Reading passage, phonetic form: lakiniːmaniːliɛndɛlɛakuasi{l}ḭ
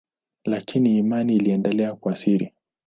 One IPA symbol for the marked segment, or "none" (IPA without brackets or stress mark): ɾ